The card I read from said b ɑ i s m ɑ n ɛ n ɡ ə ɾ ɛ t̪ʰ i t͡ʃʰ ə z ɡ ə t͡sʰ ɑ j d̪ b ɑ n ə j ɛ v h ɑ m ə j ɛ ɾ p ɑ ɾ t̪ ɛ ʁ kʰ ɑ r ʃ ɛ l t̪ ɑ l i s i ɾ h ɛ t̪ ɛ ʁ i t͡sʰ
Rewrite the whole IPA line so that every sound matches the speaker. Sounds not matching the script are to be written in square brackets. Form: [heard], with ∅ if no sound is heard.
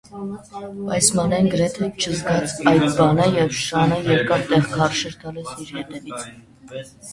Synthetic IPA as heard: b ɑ [j] s m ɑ n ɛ n ɡ ə ɾ ɛ t̪ʰ [ɛ] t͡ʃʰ ə z ɡ [ɑ] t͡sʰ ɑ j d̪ b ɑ n ə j ɛ v [ʃ] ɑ [n] ə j ɛ ɾ [k] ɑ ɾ t̪ ɛ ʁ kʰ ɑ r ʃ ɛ [ɾ] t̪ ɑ l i s i ɾ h ɛ t̪ ɛ [v] i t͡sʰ